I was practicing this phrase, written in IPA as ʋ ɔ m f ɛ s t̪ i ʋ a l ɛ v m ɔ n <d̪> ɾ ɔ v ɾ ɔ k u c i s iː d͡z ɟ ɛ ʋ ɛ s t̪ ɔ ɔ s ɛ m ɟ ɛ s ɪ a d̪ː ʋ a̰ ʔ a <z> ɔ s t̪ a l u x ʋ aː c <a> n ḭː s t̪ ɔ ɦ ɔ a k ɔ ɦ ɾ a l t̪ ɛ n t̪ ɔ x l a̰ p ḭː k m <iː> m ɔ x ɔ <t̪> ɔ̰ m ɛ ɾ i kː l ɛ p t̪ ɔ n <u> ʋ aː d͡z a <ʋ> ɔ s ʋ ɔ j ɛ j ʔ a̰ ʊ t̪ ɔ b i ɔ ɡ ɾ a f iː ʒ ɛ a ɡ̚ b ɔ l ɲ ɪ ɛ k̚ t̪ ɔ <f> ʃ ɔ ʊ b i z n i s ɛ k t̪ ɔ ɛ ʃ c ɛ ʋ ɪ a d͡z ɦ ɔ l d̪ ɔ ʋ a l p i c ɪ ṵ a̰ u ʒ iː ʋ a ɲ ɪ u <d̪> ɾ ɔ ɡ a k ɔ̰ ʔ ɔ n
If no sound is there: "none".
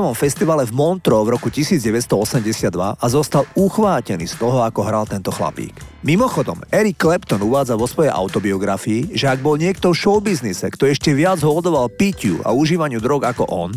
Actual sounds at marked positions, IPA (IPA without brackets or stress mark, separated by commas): t̪, z, ɛ, i, d̪, u, ʋ, f, d̪